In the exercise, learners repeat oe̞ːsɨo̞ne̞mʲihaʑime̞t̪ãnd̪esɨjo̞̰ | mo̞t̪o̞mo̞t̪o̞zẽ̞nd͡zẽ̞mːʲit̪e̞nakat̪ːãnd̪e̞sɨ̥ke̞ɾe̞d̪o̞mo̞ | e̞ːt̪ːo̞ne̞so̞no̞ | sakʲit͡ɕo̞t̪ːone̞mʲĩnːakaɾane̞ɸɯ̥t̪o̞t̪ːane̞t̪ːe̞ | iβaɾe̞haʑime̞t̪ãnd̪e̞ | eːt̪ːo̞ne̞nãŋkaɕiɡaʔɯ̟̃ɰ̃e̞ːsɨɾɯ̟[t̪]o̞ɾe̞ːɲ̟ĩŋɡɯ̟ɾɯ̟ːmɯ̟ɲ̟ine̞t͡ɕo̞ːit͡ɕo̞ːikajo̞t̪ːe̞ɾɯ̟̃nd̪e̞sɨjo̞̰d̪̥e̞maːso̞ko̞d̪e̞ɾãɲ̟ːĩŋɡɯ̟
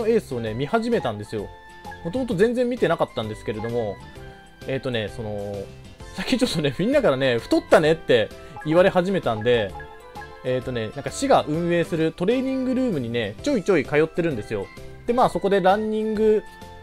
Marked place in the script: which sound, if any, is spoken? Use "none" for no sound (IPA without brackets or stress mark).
t̪